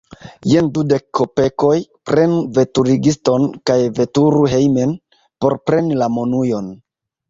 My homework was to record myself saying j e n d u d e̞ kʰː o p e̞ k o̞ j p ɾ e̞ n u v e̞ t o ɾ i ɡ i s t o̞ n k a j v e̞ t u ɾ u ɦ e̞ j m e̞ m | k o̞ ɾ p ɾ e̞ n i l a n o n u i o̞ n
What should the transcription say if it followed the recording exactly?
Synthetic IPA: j e n d u d e̞ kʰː o p e̞ k o̞ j p ɾ e̞ n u v e̞ t u ɾ i ɡ i s t o̞ n k a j v e̞ t u ɾ u ɦ e̞ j m e̞ n | p o̞ ɾ p ɾ e̞ n i l a m o n u j o̞ n